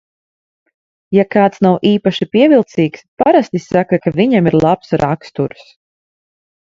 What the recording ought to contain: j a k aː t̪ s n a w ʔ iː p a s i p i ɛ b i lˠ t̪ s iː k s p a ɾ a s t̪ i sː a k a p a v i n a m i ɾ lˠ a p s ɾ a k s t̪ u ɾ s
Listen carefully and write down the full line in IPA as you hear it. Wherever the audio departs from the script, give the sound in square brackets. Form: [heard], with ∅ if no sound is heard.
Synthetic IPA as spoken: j a k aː t̪ s n a w ʔ iː p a [ʃ] i p i ɛ [v] i lˠ t̪ s iː k s p a ɾ a s t̪ i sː a k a [k] a v i [ɲ] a m i ɾ lˠ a p s ɾ a k s t̪ u ɾ s